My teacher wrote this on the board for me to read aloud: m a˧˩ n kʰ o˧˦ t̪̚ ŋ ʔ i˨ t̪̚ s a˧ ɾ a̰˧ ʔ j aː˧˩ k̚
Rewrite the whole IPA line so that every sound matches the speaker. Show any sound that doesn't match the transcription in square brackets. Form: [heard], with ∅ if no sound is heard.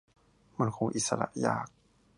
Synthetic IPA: m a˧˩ n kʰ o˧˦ [∅] ŋ ʔ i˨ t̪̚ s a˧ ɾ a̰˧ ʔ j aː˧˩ k̚